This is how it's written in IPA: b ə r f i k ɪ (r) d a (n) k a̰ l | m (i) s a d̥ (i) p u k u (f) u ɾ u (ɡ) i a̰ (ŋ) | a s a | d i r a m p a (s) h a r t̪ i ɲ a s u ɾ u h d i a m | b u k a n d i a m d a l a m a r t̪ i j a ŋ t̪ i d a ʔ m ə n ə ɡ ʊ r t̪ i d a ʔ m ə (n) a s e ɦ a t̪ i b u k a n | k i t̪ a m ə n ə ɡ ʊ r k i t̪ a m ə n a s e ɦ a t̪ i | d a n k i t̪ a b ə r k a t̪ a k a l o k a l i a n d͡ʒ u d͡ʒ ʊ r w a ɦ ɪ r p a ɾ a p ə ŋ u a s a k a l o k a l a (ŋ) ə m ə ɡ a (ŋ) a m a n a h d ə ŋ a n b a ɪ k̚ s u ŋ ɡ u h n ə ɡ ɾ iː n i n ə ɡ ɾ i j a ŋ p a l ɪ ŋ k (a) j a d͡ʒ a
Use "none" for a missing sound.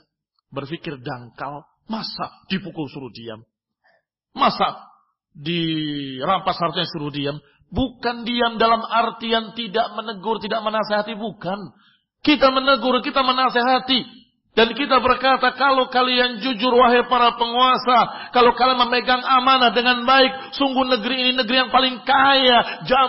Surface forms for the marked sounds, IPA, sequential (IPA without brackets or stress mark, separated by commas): r, ŋ, a, i, s, d, m, s, n, m, ŋ, a